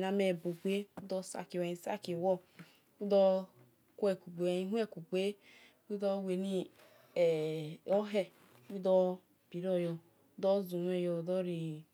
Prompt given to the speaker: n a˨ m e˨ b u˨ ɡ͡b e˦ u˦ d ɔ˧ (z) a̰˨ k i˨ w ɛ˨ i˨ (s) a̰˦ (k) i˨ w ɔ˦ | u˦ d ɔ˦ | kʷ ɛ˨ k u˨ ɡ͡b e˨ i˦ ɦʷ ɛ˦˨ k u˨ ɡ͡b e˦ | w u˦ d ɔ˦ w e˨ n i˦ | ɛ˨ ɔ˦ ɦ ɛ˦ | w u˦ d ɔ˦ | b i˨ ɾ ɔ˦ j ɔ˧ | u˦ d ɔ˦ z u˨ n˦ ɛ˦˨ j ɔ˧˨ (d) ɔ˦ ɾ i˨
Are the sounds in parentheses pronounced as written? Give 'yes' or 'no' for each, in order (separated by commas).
no, yes, yes, yes